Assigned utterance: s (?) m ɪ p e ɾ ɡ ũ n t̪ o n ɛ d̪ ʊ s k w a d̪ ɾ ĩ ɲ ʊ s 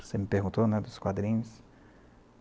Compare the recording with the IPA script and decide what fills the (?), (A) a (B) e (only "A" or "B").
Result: B